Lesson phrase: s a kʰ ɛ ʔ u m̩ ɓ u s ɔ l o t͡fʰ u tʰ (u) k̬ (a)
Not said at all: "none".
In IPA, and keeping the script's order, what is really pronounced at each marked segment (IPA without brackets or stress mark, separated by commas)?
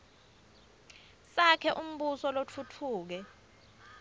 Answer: uː, ɛ